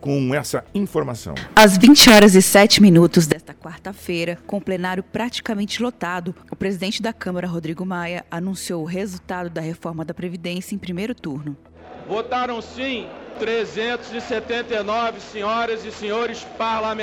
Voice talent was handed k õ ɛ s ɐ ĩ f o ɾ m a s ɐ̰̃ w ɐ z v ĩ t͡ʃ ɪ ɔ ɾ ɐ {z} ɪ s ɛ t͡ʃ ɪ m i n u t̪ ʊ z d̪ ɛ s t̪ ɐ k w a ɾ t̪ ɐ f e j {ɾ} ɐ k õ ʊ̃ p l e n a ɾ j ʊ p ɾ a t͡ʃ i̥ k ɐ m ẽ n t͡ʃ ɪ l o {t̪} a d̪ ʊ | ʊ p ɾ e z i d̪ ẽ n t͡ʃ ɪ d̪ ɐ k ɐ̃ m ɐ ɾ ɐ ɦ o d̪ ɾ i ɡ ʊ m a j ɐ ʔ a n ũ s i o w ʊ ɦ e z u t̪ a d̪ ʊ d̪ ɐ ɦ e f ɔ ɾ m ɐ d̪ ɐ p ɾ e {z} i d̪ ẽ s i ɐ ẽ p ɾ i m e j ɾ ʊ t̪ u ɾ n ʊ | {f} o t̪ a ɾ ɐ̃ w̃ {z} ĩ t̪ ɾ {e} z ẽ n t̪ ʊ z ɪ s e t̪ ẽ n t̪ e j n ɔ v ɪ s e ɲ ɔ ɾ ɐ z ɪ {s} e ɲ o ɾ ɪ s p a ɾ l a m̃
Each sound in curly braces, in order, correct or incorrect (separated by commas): correct, correct, correct, incorrect, incorrect, incorrect, correct, correct